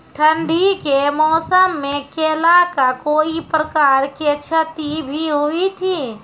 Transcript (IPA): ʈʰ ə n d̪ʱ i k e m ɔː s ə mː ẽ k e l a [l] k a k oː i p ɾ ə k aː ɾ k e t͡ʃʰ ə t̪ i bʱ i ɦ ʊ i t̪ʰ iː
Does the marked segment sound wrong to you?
yes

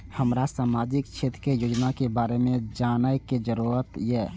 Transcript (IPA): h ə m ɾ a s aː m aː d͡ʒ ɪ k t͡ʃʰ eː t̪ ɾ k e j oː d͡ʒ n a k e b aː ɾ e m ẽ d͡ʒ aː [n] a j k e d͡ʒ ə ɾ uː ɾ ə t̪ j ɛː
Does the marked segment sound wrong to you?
no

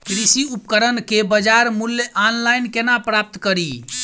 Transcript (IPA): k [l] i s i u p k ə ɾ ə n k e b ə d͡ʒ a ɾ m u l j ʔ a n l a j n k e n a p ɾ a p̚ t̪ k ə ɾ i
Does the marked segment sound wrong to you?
yes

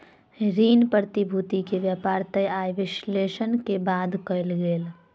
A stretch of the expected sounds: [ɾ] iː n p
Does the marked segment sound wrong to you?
no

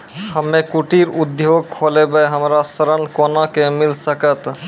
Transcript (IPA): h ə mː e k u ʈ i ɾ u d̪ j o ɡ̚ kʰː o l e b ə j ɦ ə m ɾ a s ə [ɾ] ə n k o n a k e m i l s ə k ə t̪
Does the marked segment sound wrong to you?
no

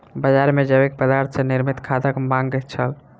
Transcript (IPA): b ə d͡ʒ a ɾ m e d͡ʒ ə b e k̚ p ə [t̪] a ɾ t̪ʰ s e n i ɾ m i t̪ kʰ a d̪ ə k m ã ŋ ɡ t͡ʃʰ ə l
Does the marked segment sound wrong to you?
yes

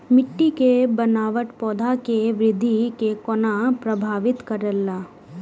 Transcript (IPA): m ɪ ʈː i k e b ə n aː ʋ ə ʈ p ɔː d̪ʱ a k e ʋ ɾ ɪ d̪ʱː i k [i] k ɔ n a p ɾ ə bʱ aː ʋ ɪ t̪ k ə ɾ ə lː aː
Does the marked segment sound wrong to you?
yes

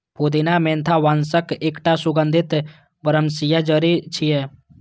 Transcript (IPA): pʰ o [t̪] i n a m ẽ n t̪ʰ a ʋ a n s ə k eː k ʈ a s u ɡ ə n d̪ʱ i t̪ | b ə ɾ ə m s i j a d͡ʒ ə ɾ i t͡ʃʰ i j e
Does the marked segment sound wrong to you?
yes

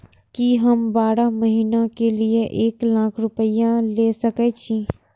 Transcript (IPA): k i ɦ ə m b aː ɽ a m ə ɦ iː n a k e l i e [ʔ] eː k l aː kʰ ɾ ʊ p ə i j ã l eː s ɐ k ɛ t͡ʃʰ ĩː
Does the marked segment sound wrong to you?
no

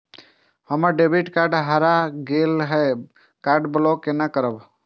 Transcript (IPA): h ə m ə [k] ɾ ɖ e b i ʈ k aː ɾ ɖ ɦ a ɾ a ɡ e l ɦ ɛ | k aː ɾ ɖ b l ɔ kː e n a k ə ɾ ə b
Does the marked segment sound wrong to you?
yes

